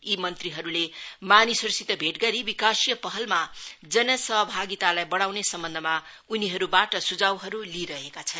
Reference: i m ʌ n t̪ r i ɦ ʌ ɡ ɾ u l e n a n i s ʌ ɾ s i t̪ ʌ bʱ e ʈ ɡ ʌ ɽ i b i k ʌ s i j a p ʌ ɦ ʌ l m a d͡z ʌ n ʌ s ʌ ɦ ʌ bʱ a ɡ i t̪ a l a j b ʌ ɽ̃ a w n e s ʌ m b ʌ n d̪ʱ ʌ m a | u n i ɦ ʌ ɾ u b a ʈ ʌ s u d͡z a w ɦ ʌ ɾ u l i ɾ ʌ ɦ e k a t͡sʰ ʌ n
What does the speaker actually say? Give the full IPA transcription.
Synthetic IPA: i m ʌ n t̪ r i ɦ ʌ ɾ u l e m a n i s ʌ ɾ s i t̪ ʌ bʱ e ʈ ɡ ʌ ɾ i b i k a s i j ʌ p ʌ ɦ ʌ l m a d͡z ʌ n ʌ s ʌ ɦ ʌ bʱ a ɡ i t̪ a l a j b ʌ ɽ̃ a w n e s ʌ m b ʌ n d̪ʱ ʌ m a | u n i ɦ ʌ ɾ u b a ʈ ʌ s u d͡z a w ɦ ʌ ɾ u l i ɾ ʌ ɦ e k a t͡sʰ ʌ n

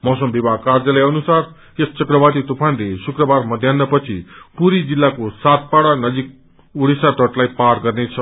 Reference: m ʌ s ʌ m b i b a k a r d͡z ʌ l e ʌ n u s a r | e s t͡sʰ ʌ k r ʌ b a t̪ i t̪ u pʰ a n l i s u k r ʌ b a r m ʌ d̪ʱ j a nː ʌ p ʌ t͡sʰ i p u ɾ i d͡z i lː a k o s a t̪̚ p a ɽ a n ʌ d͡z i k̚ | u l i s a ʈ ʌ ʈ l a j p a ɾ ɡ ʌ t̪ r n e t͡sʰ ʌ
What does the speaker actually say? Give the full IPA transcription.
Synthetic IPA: m ʌ s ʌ m b i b a k a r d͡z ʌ l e ʌ n u s a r | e s t͡s ʌ k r ʌ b a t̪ i t̪ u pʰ a n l e s u k r ʌ b a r m ʌ d̪ʱ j a nː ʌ p ʌ t͡sʰ i p u ɾ i d͡z i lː a k o s a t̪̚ p a ɽ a n ʌ d͡z i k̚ | u ɽ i s a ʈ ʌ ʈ l a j p a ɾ ɡ ʌ r n e t͡sʰ ʌ

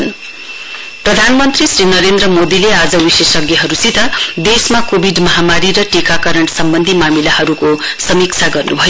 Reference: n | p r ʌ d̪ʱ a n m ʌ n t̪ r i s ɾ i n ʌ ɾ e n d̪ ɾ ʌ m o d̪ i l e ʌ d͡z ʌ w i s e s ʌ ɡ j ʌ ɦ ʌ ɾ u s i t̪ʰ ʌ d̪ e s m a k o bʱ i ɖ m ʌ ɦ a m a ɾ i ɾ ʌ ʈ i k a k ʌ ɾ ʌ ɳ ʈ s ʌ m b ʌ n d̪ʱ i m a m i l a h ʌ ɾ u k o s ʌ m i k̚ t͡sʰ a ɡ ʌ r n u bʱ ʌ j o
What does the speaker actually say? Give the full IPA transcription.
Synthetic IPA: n | p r ʌ d̪ʱ a n m ʌ n t̪ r i s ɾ i n ʌ ɾ e n d̪ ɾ ʌ m o d̪ i l e a d͡z ʌ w i s e s ʌ ɡ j ʌ ɦ ʌ ɾ u s i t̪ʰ ʌ d̪ e s m a k o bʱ i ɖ m ʌ ɦ a m a ɾ i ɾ ʌ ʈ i k a k ʌ ɾ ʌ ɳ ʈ s ʌ m b ʌ n d̪ʱ i m a m i l a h ʌ ɾ u k o s ʌ m i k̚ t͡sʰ a ɡ ʌ r n u bʱ ʌ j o

